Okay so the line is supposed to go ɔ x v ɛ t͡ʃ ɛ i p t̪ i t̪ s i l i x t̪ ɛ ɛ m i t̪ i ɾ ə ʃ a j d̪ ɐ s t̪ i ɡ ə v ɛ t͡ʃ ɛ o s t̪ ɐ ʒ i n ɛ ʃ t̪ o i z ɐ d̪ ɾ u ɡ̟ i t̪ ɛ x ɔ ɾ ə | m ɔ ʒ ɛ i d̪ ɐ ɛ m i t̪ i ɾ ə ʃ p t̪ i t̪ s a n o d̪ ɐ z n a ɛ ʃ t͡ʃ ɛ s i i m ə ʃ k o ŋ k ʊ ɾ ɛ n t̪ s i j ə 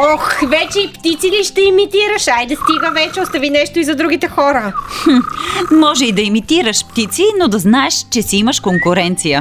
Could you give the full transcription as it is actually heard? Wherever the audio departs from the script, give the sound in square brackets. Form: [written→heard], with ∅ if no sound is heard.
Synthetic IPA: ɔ x v ɛ t͡ʃ ɛ i p t̪ i t̪ s i l i [x→ʃ] t̪ ɛ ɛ m i t̪ i ɾ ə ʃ a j d̪ ɐ s t̪ i ɡ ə v ɛ t͡ʃ ɛ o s t̪ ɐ [ʒ→v] i n ɛ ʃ t̪ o i z ɐ d̪ ɾ u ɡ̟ i t̪ ɛ x ɔ ɾ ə | m ɔ ʒ ɛ i d̪ ɐ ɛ m i t̪ i ɾ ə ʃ p t̪ i t̪ s [a→i] n o d̪ ɐ z n a ɛ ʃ t͡ʃ ɛ s i i m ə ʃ k o ŋ k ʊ ɾ ɛ n t̪ s i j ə